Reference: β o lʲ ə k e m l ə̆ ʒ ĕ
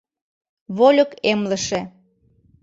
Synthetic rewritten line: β o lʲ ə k e m l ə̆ ʃ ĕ